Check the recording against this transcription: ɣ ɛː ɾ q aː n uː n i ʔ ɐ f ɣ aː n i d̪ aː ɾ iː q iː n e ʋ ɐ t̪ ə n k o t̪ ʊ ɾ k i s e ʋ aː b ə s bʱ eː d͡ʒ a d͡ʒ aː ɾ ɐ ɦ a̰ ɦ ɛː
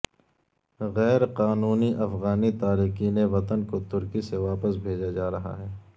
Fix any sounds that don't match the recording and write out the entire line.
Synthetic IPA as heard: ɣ ɛː ɾ q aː n uː n i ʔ ɐ f ɣ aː n i t̪ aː ɾ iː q iː n e ʋ ɐ t̪ ə n k o t̪ ʊ ɾ k i s e ʋ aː p ə s bʱ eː d͡ʒ a d͡ʒ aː ɾ ɐ ɦ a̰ ɦ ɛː